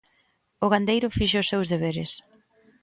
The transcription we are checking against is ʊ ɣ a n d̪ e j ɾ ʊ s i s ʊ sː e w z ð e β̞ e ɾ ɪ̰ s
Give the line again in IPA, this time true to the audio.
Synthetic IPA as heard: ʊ ɣ a n d̪ e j ɾ ʊ f i ʃ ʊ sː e w z ð e β̞ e ɾ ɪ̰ s